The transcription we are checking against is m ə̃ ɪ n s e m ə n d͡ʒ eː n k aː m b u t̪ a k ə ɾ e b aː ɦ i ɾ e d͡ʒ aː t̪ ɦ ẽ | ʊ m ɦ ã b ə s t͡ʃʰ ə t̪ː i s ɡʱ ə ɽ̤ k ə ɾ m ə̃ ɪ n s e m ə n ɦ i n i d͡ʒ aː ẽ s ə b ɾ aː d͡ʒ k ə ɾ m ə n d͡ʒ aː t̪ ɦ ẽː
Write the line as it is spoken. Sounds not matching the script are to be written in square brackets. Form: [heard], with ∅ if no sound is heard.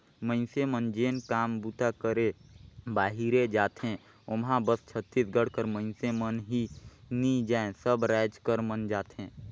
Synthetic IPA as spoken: m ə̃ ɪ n s e m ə n d͡ʒ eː n k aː m b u t̪ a k ə ɾ e b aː ɦ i ɾ e d͡ʒ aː t̪ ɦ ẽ | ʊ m ɦ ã b ə s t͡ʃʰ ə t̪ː i s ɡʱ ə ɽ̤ k ə ɾ m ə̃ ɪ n s e m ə n ɦ i n i d͡ʒ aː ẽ s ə b ɾ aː d͡ʒ k ə ɾ m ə n d͡ʒ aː t̪ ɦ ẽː